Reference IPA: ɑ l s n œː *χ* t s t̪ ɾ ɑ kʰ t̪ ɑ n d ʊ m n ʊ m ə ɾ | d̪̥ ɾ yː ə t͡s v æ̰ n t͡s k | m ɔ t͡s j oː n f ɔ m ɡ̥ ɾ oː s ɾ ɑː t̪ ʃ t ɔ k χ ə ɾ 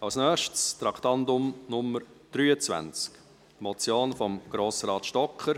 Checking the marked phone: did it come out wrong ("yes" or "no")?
yes